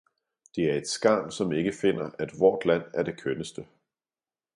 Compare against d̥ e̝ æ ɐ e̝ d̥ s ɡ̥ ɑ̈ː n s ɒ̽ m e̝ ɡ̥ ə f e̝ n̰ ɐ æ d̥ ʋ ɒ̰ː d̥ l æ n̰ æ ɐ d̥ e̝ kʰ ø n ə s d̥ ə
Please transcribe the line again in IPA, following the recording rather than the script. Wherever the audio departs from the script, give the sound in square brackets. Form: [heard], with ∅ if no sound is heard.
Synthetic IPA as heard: d̥ e̝ æ ɐ e̝ d̥ s ɡ̥ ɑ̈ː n s ɒ̽ m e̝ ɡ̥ ə f e̝ n̰ ɐ æ d̥ ʋ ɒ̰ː d̥ l æ n̰ æ ɐ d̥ e̝ kʰ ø n ə s d̥ ə

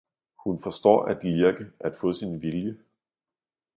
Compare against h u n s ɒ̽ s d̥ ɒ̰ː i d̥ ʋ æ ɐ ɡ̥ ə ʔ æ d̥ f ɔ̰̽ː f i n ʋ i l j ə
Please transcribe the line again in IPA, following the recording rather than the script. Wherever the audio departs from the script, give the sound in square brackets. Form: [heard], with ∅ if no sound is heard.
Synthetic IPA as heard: h u n [f] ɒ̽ s d̥ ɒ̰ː [æ] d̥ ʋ [i] ɐ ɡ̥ ə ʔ æ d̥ f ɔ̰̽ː [s] i n ʋ i l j ə

